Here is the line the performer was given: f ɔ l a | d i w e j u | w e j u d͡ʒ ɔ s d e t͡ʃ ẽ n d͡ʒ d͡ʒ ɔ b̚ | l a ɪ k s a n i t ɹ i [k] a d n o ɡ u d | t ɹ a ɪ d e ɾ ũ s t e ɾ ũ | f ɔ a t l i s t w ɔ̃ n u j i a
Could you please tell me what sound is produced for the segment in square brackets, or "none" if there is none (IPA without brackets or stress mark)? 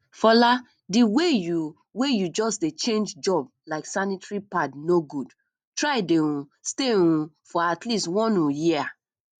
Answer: p